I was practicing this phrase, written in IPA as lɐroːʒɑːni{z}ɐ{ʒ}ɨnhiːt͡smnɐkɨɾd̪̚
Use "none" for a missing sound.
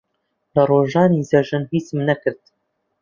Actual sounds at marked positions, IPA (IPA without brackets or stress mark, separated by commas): z, ʒ